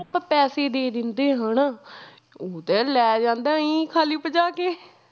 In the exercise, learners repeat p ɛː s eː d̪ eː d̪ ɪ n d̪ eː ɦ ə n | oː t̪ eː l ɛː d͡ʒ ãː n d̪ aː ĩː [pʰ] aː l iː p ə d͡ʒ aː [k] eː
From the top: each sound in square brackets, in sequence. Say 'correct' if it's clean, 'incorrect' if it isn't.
incorrect: kʰ, correct

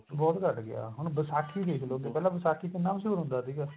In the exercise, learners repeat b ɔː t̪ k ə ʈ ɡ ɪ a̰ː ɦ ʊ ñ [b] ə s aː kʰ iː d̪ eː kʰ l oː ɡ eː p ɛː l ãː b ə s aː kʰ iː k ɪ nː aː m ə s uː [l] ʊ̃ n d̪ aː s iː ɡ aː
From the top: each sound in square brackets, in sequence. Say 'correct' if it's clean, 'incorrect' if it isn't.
correct, incorrect: ɾ

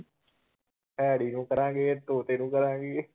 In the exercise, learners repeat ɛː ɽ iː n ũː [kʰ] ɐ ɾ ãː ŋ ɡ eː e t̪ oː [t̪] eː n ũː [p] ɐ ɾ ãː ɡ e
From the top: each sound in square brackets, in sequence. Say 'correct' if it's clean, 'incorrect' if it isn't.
incorrect: k, correct, incorrect: k

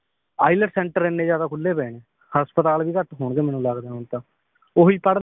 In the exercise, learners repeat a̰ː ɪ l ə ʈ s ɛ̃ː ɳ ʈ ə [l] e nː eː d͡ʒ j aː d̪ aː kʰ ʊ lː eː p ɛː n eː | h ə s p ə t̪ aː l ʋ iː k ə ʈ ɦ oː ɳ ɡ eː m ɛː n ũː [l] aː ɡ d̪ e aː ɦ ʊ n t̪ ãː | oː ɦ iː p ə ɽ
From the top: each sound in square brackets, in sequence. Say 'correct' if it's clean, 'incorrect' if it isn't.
incorrect: ɾ, correct

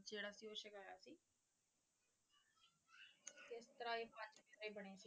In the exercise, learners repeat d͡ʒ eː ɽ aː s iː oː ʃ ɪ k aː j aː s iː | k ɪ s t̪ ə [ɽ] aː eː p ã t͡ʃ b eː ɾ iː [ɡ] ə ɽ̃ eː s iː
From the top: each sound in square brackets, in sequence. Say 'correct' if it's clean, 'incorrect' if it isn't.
incorrect: ɾ, incorrect: b

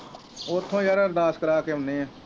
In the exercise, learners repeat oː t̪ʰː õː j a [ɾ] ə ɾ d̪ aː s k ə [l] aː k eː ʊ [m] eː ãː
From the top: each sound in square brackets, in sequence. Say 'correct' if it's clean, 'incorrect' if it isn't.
correct, incorrect: ɾ, incorrect: n

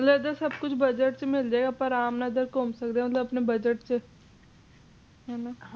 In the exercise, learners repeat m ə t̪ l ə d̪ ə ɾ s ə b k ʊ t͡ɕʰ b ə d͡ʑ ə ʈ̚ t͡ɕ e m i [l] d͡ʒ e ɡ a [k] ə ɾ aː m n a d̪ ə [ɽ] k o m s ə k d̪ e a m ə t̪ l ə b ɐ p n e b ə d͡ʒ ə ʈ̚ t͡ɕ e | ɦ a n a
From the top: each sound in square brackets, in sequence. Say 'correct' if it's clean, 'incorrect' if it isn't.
correct, incorrect: p, incorrect: ɾ

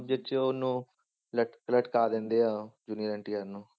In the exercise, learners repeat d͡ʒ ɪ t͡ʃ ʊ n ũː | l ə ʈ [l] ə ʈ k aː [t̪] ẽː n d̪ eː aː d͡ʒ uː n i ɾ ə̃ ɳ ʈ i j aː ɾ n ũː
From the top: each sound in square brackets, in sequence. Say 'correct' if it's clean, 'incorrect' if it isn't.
correct, incorrect: d̪

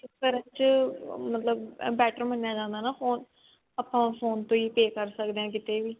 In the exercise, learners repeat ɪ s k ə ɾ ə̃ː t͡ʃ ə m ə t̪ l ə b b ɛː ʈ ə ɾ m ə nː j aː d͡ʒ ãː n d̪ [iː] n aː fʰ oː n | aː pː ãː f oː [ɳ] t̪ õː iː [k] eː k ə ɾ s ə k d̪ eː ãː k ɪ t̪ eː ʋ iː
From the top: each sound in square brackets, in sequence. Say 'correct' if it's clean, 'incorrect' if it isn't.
incorrect: aː, incorrect: n, incorrect: p

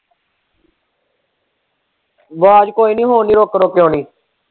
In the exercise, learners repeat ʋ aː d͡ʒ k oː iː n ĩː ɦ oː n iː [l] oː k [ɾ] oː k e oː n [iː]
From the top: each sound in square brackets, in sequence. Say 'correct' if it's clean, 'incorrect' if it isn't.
incorrect: ɾ, correct, correct

